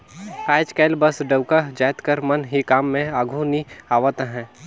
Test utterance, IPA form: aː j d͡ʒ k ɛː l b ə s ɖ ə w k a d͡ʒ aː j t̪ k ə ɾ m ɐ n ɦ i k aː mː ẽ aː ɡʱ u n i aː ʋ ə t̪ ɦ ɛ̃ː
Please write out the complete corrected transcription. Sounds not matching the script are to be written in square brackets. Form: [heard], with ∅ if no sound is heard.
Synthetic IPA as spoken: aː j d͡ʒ k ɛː l b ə s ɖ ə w k a d͡ʒ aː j t̪ k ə ɾ m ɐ n ɦ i k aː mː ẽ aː ɡʱ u n i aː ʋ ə t̪ ɦ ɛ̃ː